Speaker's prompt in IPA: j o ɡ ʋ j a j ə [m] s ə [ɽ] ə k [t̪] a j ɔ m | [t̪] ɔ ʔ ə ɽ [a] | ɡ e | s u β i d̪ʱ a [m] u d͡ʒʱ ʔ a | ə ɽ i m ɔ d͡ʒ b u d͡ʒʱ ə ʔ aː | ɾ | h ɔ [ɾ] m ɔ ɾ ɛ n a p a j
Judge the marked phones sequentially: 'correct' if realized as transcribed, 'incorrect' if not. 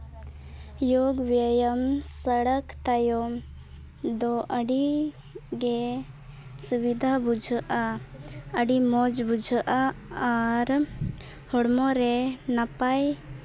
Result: correct, correct, correct, incorrect, incorrect, incorrect, incorrect

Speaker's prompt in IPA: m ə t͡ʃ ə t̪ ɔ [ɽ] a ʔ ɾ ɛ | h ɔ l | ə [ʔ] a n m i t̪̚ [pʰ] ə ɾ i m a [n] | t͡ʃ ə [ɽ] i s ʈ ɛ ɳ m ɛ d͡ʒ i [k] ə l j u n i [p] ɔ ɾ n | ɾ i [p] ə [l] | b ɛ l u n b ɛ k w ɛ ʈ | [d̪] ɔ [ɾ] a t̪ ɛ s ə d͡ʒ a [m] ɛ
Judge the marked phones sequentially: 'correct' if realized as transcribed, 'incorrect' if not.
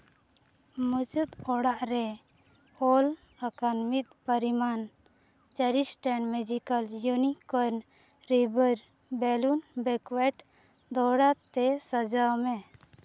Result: correct, incorrect, incorrect, correct, incorrect, correct, incorrect, incorrect, incorrect, correct, incorrect, correct

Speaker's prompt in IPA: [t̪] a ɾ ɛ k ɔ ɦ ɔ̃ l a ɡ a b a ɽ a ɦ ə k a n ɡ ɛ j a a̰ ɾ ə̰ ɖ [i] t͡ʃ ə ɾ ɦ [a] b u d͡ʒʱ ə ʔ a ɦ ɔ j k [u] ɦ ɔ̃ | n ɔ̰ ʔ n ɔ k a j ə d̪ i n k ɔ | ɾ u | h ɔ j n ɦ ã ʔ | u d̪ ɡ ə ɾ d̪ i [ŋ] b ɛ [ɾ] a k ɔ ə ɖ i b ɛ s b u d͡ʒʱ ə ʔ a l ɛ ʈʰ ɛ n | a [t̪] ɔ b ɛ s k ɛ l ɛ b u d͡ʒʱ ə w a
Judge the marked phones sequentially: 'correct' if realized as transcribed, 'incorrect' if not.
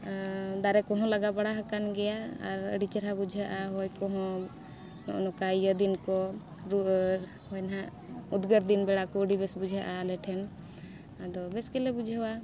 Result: incorrect, correct, correct, incorrect, incorrect, incorrect, incorrect

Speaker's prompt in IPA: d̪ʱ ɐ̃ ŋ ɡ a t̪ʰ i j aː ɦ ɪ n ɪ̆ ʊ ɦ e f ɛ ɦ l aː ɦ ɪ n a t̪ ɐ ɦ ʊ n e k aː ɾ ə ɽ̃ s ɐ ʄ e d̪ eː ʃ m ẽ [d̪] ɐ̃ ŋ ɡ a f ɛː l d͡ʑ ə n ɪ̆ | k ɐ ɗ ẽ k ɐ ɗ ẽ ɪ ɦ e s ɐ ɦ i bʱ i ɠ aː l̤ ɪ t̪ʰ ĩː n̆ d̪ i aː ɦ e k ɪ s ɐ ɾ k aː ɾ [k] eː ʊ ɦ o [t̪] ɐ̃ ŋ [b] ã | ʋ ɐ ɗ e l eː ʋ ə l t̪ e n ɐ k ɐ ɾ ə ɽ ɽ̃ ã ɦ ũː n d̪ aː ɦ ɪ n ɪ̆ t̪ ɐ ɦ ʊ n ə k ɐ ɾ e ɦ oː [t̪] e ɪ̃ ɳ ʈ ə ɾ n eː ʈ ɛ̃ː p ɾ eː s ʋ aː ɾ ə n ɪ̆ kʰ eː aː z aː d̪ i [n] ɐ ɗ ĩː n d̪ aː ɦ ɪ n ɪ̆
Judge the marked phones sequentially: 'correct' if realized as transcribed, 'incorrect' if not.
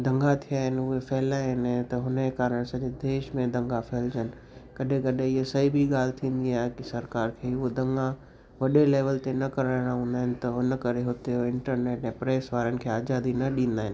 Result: correct, incorrect, incorrect, incorrect, correct, correct

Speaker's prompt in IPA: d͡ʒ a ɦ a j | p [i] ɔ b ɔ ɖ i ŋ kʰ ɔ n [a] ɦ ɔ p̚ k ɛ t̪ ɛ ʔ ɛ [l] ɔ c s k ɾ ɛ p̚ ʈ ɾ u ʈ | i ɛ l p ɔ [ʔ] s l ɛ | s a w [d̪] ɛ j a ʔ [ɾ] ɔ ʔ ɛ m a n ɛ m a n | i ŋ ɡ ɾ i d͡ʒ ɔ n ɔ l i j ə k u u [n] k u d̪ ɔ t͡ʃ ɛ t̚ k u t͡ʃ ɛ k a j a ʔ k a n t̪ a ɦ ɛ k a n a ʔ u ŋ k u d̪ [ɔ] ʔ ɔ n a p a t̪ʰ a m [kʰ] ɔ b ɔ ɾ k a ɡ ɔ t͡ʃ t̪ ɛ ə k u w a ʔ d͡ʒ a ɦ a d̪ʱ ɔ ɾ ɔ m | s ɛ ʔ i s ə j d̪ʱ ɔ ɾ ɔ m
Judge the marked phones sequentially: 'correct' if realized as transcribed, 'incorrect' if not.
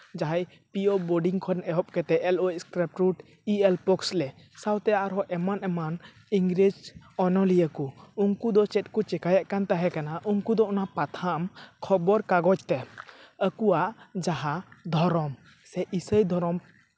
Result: correct, incorrect, correct, incorrect, incorrect, correct, incorrect, correct, correct

